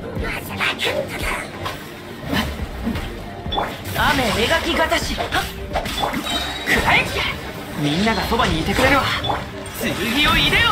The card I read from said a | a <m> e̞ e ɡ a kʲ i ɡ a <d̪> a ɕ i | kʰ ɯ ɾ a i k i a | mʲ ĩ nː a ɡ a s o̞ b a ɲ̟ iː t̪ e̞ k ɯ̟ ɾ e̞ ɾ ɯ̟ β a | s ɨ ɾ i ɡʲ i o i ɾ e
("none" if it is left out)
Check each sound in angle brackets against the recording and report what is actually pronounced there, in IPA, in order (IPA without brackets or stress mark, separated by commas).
m, t̪